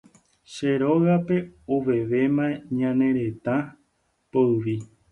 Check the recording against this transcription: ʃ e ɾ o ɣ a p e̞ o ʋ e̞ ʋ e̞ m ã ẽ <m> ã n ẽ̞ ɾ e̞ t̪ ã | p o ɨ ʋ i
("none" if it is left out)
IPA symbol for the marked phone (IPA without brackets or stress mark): ɲ